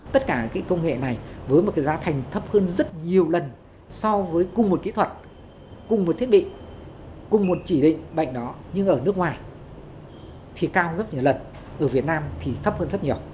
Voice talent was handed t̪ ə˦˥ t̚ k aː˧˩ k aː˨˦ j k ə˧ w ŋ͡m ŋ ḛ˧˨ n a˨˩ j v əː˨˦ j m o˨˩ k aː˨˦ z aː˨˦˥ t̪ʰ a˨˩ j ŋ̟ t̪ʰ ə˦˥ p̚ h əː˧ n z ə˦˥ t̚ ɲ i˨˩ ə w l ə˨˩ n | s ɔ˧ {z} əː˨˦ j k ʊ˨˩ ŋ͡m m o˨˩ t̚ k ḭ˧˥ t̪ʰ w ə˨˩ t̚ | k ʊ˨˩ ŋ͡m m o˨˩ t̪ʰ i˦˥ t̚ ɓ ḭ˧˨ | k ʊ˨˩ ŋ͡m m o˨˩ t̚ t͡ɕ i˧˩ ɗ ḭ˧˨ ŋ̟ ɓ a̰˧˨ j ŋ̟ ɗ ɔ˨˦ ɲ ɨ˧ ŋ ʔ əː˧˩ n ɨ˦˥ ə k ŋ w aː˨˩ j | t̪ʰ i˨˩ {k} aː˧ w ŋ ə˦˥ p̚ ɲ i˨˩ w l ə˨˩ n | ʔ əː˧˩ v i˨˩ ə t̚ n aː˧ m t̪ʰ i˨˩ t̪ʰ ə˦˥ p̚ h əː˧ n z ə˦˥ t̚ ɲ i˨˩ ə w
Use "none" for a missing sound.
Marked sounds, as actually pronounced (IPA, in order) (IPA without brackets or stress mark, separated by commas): v, k